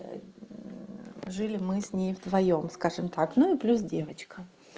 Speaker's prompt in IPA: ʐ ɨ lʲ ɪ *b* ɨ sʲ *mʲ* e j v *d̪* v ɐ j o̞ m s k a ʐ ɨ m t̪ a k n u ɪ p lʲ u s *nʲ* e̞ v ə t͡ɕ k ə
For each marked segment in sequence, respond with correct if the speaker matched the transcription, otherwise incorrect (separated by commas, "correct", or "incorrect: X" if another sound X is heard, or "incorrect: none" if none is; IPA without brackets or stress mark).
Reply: incorrect: m, incorrect: nʲ, correct, incorrect: dʲ